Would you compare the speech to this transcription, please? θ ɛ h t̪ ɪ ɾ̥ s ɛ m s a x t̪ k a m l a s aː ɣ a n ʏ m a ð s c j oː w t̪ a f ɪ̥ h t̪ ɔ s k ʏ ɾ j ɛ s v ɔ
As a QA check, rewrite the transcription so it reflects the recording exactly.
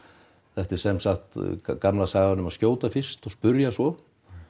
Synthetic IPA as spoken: θ ɛ h t̪ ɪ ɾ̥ s ɛ m s a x t̪ k a m l a s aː ɣ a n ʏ m a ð s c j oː w t̪ a f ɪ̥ s t̪ ɔ s p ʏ ɾ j a s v ɔ